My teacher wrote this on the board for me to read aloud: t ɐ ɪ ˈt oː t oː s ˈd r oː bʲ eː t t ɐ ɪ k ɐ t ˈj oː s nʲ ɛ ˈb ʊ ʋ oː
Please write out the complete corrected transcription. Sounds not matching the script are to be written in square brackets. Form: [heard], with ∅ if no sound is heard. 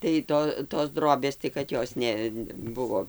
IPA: t ɐ ɪ ˈt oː t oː s ˈd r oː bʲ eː [s] t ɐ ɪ k ɐ t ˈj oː s nʲ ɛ ˈb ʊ ʋ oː